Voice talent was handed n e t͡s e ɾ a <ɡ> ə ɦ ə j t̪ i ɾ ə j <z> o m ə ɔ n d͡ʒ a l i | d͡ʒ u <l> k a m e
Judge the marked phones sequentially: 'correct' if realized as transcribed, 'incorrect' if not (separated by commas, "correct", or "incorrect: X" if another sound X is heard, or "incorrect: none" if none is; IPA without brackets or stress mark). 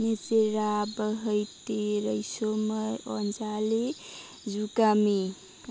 incorrect: b, incorrect: s, incorrect: none